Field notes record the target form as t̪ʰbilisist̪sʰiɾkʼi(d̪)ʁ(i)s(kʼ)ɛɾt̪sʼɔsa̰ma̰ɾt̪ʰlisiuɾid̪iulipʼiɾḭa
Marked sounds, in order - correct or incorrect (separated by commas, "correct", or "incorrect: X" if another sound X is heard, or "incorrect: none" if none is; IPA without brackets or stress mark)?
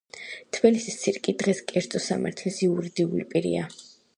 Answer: correct, incorrect: ɛ, correct